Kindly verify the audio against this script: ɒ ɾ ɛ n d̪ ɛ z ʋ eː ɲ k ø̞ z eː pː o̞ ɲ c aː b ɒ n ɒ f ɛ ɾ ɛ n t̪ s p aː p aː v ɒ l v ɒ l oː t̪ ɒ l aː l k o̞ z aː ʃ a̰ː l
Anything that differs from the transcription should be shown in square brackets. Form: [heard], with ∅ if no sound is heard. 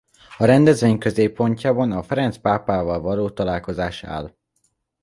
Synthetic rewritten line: ɒ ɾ ɛ n d̪ ɛ z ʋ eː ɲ k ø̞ z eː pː o̞ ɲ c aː b ɒ n ɒ f ɛ ɾ ɛ n t̪ s p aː p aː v ɒ l v ɒ l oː t̪ ɒ l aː l k o̞ z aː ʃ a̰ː l